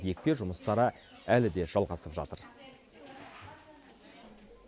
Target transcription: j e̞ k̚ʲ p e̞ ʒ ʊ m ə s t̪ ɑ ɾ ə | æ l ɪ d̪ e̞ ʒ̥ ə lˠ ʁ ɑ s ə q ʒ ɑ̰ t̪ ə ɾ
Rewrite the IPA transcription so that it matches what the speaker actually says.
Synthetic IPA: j e̞ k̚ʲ p e̞ ʒ ʊ m ə s t̪ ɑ ɾ ə | æ l ɪ d̪ e̞ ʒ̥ ɑ lˠ ʁ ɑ s ə p ʒ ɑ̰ t̪ ə ɾ